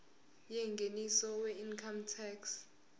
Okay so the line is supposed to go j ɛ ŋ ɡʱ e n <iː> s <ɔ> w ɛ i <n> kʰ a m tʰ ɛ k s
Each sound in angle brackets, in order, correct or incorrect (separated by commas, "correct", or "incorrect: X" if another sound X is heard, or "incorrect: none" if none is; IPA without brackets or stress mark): incorrect: i, correct, correct